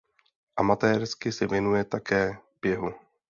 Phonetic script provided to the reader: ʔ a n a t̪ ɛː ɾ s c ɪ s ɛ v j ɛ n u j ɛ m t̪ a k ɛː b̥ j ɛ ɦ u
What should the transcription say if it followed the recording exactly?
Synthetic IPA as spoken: ʔ a m a t̪ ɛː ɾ s k ɪ s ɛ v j ɛ n u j ɛ t̪ a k ɛː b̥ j ɛ ɦ u